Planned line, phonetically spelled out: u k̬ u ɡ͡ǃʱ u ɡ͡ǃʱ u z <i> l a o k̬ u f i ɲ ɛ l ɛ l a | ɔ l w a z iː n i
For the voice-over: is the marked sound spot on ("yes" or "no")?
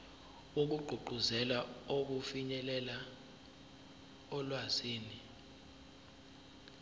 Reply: no